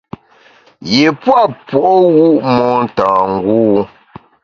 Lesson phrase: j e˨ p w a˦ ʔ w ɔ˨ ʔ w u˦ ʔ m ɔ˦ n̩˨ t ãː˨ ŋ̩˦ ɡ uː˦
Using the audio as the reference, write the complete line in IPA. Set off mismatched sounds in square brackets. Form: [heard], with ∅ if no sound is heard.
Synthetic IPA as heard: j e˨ p w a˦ [p] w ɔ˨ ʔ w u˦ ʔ m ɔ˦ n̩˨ t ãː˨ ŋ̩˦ ɡ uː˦

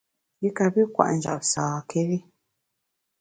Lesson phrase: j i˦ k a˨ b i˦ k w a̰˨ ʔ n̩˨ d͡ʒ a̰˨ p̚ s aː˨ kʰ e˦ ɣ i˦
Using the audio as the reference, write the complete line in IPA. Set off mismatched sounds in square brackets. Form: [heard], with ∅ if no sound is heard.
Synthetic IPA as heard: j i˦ k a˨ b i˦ k w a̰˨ ʔ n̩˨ d͡ʒ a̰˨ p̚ s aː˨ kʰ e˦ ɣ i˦

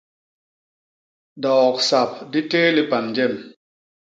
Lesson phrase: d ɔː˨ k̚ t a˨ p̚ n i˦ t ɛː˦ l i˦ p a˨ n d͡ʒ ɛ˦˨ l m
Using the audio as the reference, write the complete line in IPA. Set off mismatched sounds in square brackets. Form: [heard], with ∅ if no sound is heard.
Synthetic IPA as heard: d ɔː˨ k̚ [s] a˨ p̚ [d] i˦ t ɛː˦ l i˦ p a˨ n d͡ʒ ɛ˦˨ [∅] m

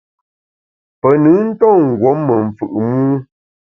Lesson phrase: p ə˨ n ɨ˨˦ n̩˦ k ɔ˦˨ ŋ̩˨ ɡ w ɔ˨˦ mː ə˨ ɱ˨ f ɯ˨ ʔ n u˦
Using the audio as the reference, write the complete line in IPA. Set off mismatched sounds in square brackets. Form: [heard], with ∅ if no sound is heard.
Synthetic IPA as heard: p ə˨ n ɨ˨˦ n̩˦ [t] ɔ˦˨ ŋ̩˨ ɡ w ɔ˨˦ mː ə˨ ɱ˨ f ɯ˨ ʔ [m] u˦

